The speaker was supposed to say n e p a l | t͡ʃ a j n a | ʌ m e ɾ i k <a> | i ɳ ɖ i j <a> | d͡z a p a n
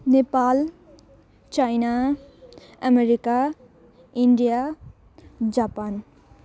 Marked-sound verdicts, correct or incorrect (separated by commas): correct, correct